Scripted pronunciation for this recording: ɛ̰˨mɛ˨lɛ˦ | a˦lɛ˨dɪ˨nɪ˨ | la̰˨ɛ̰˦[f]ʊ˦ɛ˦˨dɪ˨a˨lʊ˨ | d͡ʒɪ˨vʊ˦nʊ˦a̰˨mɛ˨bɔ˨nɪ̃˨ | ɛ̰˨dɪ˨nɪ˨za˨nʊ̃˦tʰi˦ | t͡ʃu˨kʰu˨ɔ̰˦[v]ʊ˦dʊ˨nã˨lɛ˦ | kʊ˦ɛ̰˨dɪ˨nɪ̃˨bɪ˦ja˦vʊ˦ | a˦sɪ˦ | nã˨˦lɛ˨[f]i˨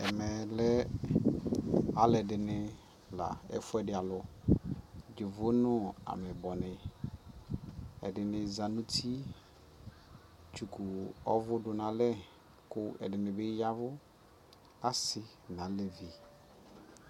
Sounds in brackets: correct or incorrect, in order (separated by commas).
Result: correct, correct, incorrect